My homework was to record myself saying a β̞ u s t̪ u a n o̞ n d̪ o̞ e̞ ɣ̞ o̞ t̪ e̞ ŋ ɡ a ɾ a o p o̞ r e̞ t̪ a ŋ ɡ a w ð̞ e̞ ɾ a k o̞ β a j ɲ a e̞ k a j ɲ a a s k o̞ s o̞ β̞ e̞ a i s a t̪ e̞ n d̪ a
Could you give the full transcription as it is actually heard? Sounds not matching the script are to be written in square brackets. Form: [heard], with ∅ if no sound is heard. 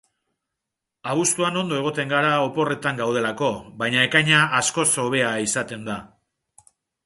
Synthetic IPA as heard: a β̞ u s t̪ u a n o̞ n d̪ o̞ e̞ ɣ̞ o̞ t̪ e̞ ŋ ɡ a ɾ a o p o̞ r e̞ t̪ a ŋ ɡ a w ð̞ e̞ [l] a k o̞ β a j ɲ a e̞ k a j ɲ a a s k o̞ s o̞ β̞ e̞ a i s a t̪ e̞ n d̪ a